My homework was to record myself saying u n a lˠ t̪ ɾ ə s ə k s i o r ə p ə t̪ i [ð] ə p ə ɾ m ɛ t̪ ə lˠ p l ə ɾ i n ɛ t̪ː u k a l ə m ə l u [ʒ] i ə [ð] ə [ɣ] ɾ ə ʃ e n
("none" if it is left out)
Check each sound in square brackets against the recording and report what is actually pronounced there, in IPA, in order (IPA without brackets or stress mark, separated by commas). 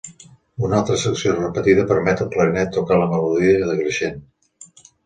ð, ð, ð, ɣ